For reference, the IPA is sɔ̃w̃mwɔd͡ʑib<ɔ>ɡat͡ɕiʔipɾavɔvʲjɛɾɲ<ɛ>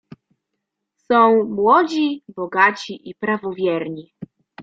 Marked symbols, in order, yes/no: yes, no

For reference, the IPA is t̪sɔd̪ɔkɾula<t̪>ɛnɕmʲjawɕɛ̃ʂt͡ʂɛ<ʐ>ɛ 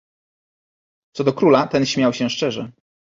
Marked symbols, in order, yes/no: yes, yes

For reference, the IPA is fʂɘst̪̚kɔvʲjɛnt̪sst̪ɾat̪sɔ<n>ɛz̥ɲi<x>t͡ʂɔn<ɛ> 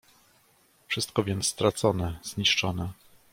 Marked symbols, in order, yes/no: yes, no, yes

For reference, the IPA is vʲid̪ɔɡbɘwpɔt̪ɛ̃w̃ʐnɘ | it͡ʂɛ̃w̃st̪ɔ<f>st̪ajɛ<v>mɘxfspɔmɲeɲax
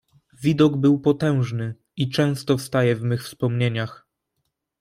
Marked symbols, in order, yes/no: yes, yes

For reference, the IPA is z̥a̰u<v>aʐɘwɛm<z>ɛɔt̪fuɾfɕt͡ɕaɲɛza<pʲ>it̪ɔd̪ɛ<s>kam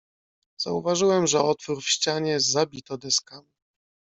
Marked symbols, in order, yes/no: yes, no, no, yes

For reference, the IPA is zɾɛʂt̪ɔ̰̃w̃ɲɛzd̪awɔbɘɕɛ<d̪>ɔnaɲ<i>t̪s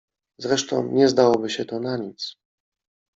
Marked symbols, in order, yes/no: no, yes

